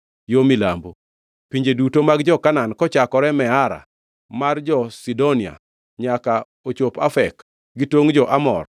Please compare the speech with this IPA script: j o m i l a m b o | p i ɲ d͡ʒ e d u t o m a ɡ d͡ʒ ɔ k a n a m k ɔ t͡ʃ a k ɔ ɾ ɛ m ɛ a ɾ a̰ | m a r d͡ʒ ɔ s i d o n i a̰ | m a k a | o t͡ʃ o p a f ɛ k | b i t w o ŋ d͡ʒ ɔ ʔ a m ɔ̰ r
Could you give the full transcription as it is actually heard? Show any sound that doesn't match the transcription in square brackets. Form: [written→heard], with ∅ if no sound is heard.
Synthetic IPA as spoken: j o m i l a m b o | p i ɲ d͡ʒ e d u t o m a ɡ d͡ʒ ɔ k a n a [m→n] k ɔ t͡ʃ a k ɔ ɾ ɛ m ɛ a ɾ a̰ | m a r d͡ʒ ɔ s i d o n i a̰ | [m→ɲ] a k a | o t͡ʃ o p a f ɛ k | [b→ɡ] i t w o ŋ d͡ʒ ɔ ʔ a m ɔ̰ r